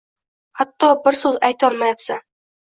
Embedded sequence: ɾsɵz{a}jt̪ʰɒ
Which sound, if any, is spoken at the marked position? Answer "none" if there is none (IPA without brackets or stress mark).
a